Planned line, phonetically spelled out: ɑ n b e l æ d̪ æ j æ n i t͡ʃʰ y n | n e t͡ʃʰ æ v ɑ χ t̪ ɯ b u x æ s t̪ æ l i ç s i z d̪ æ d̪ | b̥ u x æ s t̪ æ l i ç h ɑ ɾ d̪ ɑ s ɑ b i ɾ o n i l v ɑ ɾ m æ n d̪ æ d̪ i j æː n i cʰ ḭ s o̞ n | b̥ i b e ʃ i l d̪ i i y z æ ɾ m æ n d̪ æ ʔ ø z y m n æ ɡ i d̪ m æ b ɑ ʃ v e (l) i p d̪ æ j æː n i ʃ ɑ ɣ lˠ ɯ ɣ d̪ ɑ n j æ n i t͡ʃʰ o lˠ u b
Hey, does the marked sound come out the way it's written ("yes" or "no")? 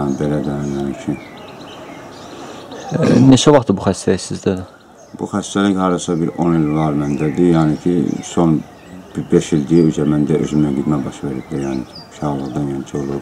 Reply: no